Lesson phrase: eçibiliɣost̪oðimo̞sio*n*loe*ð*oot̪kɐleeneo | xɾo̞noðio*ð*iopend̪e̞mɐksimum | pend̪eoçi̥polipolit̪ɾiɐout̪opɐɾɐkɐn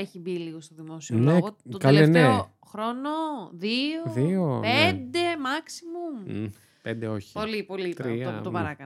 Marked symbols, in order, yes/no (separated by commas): yes, no, yes